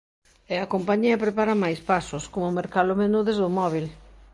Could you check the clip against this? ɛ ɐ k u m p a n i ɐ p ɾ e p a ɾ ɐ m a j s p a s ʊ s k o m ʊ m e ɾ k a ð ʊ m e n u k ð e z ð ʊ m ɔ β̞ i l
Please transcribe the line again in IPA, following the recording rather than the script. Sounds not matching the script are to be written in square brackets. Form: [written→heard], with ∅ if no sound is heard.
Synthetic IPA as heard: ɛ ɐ k [u→o] m p a [n→ɲ] i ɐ p ɾ e p a ɾ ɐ m a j s p a s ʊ s k o m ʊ m e ɾ k a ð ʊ m e n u [k→∅] ð e z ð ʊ m ɔ β̞ i l